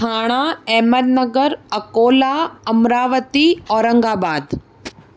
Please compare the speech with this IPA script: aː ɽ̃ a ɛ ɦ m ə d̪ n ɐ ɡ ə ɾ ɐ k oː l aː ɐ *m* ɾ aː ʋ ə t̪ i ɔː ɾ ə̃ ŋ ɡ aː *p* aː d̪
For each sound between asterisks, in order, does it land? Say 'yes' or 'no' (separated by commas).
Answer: yes, no